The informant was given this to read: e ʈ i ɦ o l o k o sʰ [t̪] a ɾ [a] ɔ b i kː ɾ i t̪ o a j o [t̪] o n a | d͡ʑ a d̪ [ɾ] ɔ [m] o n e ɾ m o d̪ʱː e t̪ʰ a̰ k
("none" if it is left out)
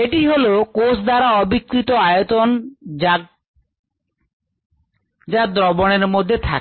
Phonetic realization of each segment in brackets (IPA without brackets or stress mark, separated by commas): d̪, a, t̪, ɾ, b